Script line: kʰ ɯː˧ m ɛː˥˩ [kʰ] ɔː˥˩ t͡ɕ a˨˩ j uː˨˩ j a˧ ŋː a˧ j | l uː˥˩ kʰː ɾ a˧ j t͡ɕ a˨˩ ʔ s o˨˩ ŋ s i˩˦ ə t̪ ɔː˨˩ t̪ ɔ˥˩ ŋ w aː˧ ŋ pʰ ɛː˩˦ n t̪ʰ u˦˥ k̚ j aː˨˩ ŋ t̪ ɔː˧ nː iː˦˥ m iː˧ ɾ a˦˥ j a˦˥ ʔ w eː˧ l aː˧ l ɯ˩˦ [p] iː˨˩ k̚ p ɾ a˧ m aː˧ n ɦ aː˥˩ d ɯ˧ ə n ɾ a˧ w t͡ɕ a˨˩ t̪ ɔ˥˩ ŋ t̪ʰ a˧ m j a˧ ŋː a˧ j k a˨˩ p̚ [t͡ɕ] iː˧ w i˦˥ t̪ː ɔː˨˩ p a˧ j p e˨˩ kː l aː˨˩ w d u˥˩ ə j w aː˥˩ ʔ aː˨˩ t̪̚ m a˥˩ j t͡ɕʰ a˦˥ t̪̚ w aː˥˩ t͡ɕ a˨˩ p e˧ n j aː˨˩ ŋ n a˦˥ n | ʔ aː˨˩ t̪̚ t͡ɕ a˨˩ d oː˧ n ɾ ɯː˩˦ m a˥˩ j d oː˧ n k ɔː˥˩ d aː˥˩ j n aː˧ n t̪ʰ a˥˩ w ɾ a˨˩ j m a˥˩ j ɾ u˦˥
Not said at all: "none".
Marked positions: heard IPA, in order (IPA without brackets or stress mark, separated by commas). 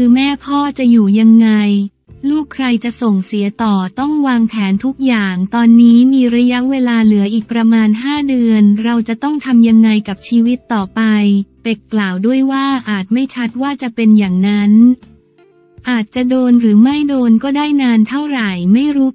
pʰ, ʔ, t͡ɕʰ